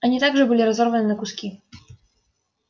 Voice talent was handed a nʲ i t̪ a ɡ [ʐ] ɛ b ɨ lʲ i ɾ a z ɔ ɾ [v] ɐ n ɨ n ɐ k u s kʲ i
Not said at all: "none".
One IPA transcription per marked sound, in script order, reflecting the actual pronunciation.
ʐ, v

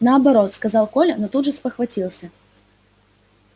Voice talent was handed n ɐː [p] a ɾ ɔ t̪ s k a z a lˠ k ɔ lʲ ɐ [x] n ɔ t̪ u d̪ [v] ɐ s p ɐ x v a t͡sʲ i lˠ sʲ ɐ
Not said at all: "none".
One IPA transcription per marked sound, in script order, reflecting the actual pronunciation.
b, none, ʐ

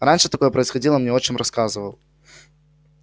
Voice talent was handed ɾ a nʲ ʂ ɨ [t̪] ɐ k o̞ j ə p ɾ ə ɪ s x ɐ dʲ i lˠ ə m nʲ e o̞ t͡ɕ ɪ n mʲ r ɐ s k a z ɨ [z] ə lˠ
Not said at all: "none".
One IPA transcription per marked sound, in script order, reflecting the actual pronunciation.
t̪, v

